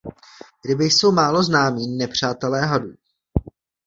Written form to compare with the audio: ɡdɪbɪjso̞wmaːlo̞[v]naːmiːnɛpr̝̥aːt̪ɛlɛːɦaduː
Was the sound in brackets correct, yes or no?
no